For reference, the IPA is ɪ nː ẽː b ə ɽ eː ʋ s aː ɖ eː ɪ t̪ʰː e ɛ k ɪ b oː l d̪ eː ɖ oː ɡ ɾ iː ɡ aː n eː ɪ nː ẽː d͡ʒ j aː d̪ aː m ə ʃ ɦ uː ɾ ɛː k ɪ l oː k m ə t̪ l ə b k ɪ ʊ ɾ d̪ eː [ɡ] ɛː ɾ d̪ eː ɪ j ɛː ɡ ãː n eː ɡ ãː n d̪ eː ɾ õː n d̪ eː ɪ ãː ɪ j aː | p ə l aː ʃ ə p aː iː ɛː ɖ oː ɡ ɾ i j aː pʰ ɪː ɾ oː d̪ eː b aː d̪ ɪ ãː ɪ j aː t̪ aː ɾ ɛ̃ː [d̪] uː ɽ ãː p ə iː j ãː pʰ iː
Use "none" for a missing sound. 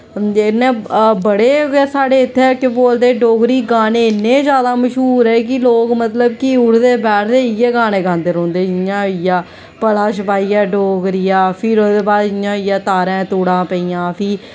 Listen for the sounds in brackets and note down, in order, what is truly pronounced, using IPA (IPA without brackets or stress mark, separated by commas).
b, t̪